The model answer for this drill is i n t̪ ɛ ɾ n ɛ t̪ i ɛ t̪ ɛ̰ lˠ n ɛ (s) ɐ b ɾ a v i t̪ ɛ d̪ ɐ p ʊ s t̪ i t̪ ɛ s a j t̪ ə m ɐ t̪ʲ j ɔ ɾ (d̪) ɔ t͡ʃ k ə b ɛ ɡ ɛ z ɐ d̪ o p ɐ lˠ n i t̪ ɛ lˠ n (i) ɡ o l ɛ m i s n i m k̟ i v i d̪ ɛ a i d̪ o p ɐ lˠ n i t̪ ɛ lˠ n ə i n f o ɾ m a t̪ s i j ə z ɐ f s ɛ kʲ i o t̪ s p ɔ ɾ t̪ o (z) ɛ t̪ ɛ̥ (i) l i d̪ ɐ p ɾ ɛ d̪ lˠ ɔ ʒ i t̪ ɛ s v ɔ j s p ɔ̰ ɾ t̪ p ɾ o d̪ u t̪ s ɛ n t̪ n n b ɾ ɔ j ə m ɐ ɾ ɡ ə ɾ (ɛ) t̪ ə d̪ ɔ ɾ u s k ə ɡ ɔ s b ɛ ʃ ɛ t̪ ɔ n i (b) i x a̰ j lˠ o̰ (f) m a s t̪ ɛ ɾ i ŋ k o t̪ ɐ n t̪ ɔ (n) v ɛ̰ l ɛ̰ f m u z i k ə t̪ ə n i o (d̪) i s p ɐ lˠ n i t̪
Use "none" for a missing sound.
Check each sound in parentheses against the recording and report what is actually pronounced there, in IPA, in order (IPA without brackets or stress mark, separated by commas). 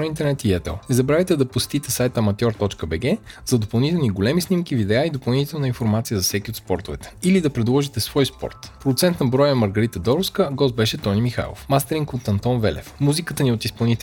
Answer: z, t̪, i, v, i, i, m, f, n, t̪